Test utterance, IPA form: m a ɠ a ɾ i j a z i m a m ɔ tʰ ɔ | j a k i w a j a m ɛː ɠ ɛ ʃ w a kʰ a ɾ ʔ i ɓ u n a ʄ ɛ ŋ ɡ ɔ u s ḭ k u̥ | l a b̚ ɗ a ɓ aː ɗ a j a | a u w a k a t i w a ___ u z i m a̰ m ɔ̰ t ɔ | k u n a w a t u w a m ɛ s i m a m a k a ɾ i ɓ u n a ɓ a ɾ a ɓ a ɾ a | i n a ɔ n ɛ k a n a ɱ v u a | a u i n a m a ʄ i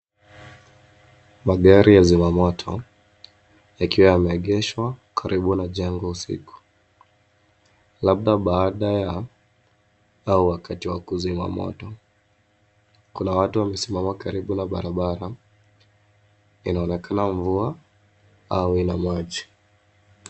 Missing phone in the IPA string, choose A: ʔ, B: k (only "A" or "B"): B